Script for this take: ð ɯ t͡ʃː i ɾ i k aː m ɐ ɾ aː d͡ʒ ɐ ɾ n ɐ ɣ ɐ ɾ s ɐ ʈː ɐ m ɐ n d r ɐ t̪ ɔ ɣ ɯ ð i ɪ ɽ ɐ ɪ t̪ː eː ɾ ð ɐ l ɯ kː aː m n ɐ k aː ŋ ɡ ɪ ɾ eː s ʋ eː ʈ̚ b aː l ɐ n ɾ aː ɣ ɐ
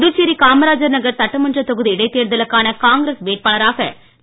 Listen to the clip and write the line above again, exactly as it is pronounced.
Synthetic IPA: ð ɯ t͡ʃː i ɾ i k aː m ɐ ɾ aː d͡ʒ ɐ ɾ n ɐ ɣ ɐ ɾ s ɐ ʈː ɐ m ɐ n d r ɐ t̪ ɔ ɣ ɯ ð i ɪ ɽ ɐ ɪ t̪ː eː ɾ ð ɐ l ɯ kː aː n ɐ k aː ŋ ɡ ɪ ɾ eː s ʋ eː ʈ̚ p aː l ɐ ɾ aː ɣ ɐ

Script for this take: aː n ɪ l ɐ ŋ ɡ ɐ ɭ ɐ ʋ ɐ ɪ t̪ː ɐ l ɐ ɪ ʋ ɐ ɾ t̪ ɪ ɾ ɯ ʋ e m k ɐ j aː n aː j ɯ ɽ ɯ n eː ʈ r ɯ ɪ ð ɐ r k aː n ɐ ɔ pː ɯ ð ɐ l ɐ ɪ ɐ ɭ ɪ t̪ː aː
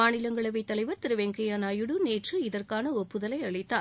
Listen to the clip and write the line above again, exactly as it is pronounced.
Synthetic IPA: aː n ɪ l ɐ ŋ ɡ ɐ ɭ ɐ ʋ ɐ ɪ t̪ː ɐ l ɐ ɪ ʋ ɐ ɾ t̪ ɪ ɾ ɯ ʋ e ŋ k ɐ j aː n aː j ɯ ɽ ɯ n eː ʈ r ɯ ɪ ð ɐ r k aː n ɐ ɔ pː ɯ ð ɐ l ɐ ɪ ɐ ɭ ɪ t̪ː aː

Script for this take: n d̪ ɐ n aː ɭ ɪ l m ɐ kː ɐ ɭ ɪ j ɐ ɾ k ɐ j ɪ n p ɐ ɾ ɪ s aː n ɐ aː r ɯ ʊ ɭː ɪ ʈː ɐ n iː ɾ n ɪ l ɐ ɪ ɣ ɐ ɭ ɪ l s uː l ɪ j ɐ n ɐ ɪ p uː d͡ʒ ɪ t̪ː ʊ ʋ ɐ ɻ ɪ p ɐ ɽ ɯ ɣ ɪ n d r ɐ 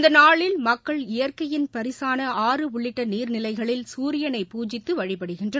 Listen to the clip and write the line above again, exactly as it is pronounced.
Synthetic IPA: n d̪ ɐ n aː ɭ ɪ l m ɐ kː ɐ ɭ ɪ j ɐ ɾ k ɐ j ɪ n p ɐ ɾ ɪ s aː n ɐ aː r ɯ ʊ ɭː ɪ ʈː ɐ n iː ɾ n ɪ l ɐ ɪ ɣ ɐ ɭ ɪ l s uː ɾ ɪ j ɐ n ɐ ɪ p uː d͡ʒ ɪ t̪ː ɯ ʋ ɐ ɻ ɪ p ɐ ɽ ɯ ɣ ɪ n d r ɐ

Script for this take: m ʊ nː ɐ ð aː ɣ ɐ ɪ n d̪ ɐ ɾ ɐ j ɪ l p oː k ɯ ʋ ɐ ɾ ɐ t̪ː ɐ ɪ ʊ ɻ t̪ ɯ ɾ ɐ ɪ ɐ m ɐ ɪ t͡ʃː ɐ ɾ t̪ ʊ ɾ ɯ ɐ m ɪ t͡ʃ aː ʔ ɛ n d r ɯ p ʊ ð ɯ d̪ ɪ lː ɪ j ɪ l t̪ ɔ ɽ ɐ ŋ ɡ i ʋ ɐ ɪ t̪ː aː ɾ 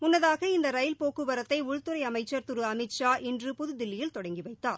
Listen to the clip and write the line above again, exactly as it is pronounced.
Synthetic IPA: m ʊ nː ɐ ð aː ɣ ɐ ɪ n d̪ ɐ ɾ ɐ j ɪ l p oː k ɯ ʋ ɐ ɾ ɐ t̪ː ɐ ɪ ʊ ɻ t̪ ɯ ɾ ɐ ɪ ɐ m ɐ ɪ t͡ʃː ɐ ɾ t̪ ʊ ɾ ɯ ɐ m ɪ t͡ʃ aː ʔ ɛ n d r ɯ p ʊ ð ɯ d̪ ɪ lː ɪ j ɪ l t̪ ɔ ɽ ɐ ŋ ɡ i ʋ ɐ ɪ t̪ː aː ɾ

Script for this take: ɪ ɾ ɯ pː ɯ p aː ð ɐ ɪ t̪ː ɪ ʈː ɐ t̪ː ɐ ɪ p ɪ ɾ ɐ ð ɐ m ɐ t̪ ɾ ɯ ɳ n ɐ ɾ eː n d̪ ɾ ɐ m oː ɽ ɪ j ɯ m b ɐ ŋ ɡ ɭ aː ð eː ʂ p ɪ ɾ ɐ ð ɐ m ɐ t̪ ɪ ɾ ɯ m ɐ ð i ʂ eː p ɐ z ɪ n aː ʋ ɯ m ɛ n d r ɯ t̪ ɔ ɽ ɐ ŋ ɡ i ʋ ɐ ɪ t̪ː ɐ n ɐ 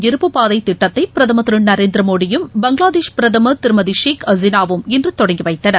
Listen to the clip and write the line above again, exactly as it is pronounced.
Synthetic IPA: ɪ ɾ ɯ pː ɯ p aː ð ɐ ɪ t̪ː ɪ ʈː ɐ t̪ː ɐ ɪ p ɪ ɾ ɐ ð ɐ m ɐ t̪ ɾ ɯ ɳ n ɐ ɾ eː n d̪ ɾ ɐ m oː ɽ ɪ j ɯ m b ɐ ŋ ɡ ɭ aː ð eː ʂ p ɪ ɾ ɐ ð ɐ m ɐ t̪ ɪ ɾ ɯ m ɐ ð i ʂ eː k ɐ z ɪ n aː ʋ ɯ m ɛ n d r ɯ t̪ ɔ ɽ ɐ ŋ ɡ i ʋ ɐ ɪ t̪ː ɐ n ɐ

